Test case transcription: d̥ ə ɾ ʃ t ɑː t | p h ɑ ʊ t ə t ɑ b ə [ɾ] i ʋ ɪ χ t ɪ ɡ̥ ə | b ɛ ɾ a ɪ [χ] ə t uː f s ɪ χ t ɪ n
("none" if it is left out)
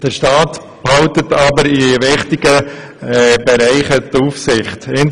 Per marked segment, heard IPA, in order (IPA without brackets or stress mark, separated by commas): ɾ, χ